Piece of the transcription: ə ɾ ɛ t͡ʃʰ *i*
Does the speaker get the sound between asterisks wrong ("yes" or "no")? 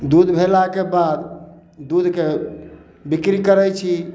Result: no